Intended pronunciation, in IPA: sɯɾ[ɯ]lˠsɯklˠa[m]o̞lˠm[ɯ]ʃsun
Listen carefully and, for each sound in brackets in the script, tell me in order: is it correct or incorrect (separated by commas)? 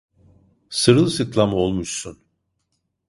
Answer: correct, correct, incorrect